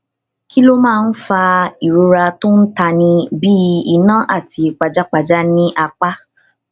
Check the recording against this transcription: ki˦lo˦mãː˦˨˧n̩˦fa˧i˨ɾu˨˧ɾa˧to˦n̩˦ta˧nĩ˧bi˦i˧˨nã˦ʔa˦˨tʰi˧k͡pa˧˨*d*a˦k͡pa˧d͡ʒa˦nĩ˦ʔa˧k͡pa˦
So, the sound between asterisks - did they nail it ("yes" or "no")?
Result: no